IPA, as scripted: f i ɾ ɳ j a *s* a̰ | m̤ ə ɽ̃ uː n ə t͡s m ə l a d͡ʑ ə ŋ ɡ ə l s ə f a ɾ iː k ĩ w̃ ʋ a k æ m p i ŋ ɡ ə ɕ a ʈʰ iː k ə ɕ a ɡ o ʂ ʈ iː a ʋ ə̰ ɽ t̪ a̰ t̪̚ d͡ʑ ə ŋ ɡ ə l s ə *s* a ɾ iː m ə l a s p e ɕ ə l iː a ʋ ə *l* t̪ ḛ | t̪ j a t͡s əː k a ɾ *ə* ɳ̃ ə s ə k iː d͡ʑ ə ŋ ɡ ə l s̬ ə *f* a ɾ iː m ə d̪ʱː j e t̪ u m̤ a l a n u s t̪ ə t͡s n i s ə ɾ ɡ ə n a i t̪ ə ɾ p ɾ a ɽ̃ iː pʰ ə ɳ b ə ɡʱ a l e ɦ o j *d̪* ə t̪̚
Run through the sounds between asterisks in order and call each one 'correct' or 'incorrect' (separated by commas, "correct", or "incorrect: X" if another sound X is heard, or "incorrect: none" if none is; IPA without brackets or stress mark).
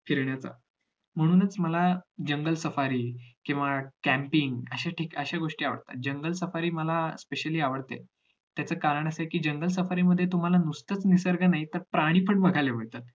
incorrect: t͡s, incorrect: f, incorrect: ɽ, correct, correct, incorrect: t̪